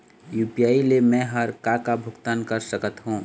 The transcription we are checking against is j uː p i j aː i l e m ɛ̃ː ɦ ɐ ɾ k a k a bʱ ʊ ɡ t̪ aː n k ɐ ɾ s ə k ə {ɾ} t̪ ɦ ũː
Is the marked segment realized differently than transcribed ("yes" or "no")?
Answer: yes